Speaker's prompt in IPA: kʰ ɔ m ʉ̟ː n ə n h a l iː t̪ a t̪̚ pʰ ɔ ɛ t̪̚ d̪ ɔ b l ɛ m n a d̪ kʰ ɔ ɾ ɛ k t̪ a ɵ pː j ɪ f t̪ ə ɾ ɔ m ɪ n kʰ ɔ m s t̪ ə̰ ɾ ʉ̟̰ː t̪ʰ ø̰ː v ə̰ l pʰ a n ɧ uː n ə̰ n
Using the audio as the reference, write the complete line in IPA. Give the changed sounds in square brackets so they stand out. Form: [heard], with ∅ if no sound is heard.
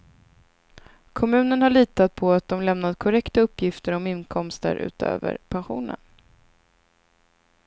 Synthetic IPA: kʰ ɔ m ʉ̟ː n ə n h a [ɭ] iː t̪ a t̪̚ pʰ ɔ [a] t̪̚ d̪ ɔ [m] l ɛ m n a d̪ kʰ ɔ ɾ ɛ k t̪ a ɵ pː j ɪ f t̪ ə ɾ ɔ m ɪ n kʰ ɔ m s t̪ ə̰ ɾ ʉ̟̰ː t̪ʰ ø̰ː v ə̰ [ɾ] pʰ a n ɧ uː n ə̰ n